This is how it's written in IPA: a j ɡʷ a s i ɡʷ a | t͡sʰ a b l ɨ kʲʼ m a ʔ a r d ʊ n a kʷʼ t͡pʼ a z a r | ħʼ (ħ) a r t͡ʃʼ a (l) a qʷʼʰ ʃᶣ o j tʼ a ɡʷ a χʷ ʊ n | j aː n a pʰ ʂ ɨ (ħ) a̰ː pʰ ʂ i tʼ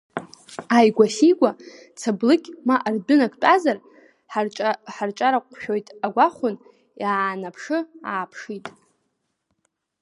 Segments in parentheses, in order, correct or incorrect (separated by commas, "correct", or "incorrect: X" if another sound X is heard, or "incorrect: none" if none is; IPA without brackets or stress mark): correct, incorrect: ɾ, incorrect: none